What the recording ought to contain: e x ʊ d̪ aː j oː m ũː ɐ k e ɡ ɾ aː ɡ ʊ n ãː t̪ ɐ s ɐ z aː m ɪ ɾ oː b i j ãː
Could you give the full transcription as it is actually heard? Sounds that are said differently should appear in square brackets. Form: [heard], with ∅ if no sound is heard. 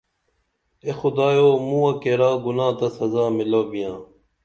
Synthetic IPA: e x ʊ d̪ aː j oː m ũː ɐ k e [∅] ɾ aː ɡ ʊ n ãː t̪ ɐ s ɐ z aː m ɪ [l] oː b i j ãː